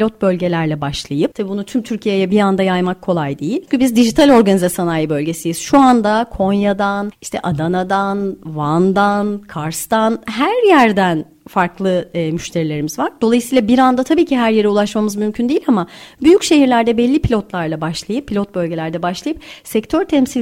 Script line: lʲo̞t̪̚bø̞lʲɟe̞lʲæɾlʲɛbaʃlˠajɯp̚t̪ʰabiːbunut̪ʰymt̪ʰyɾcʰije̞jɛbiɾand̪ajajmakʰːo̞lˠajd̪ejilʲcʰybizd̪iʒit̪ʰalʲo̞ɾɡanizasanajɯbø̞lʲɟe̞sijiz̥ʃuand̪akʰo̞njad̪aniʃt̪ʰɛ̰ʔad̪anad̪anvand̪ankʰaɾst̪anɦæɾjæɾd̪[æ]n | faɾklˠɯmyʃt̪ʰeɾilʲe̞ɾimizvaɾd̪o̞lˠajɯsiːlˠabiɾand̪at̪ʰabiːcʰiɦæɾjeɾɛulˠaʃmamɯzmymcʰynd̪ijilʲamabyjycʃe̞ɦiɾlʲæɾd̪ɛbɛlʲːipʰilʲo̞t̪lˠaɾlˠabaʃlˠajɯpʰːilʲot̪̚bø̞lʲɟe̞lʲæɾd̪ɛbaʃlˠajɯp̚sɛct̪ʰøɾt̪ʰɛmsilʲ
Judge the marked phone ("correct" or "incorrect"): correct